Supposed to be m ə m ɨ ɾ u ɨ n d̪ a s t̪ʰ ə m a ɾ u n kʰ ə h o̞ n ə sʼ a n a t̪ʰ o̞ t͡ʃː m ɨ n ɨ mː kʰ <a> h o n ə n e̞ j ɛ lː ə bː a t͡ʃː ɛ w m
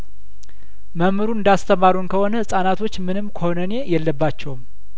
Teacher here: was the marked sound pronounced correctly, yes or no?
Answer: no